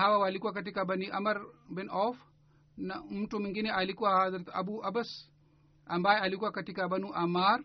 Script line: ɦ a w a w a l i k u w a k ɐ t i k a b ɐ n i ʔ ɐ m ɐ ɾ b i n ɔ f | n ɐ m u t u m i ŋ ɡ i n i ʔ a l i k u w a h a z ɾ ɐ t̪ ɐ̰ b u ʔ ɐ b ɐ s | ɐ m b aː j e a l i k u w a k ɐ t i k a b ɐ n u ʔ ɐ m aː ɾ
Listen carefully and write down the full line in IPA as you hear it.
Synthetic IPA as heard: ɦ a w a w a l i k u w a k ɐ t i k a b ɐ n i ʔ ɐ m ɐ ɾ b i n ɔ f | n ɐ m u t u m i ŋ ɡ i n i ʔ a l i k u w a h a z ɾ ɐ t̪ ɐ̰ b u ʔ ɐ b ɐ s | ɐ m b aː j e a l i k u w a k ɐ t i k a b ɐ n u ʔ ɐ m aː ɾ